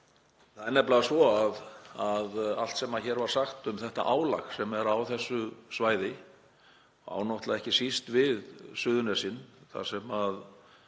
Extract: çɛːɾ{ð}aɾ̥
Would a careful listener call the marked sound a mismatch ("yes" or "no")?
yes